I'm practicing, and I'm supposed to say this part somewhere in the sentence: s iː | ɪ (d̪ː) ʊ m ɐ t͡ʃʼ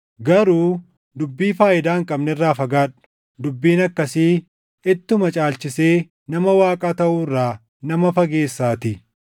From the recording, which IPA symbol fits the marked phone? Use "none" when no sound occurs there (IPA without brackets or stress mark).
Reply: t̪ː